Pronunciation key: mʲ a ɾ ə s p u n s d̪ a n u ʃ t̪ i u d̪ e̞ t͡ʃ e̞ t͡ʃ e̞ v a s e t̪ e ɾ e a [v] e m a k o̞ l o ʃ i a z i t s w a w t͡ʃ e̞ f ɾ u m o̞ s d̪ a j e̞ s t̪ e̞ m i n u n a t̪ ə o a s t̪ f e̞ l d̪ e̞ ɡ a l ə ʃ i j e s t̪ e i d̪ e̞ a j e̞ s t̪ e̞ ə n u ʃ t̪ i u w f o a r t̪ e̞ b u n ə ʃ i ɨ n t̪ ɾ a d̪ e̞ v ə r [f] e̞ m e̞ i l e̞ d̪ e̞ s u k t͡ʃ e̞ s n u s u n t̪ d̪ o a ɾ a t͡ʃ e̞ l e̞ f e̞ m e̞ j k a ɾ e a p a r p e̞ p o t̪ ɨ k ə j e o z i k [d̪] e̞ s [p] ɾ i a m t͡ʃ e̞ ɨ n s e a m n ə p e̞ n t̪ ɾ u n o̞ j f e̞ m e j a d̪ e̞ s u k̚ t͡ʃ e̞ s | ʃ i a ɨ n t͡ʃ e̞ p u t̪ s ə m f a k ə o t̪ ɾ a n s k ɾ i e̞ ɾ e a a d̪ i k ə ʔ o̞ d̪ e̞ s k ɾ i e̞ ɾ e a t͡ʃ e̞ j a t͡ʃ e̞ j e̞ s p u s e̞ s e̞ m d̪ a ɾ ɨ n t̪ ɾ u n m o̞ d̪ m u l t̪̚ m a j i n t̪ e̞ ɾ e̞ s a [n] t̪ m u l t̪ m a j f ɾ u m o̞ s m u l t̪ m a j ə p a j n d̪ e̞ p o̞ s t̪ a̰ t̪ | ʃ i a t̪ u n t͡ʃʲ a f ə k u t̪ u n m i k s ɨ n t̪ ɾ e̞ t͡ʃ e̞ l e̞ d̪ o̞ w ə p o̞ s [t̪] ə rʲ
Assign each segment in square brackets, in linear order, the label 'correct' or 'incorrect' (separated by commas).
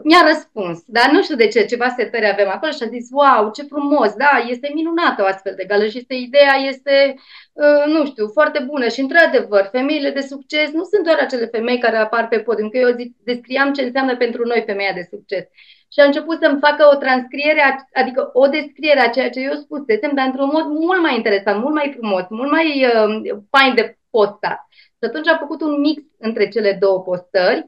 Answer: correct, correct, correct, incorrect, correct, correct